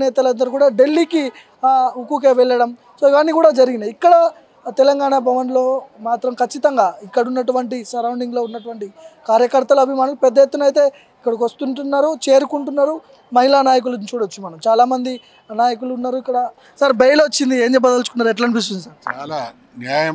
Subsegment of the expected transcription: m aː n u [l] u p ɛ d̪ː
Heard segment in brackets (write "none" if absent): l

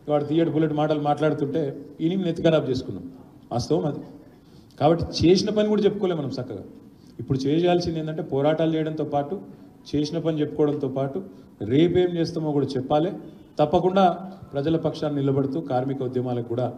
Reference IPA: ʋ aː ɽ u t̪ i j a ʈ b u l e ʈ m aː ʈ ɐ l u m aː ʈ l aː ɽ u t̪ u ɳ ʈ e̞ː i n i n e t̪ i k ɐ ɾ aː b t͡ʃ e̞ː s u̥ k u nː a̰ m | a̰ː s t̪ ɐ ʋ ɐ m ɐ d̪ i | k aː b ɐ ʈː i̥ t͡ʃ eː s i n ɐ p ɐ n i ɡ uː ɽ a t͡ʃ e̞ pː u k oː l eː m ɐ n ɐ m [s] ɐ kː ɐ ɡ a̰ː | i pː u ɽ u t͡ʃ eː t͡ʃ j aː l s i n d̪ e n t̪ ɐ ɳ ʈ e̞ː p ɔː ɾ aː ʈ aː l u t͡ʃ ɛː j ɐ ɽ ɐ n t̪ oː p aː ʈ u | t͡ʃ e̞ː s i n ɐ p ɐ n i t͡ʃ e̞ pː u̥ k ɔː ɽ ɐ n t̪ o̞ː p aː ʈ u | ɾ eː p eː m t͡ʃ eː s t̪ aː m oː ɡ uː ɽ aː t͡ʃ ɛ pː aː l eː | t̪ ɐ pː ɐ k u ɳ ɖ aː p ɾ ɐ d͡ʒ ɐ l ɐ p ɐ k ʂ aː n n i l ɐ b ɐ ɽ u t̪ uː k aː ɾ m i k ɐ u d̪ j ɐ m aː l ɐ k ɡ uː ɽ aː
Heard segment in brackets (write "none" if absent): s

